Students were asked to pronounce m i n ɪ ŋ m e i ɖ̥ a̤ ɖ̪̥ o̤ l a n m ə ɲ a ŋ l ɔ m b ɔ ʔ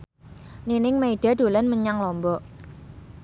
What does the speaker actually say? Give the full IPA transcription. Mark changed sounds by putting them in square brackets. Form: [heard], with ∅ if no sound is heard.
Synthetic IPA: [n] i n ɪ ŋ m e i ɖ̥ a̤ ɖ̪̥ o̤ l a n m ə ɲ a ŋ l ɔ m b ɔ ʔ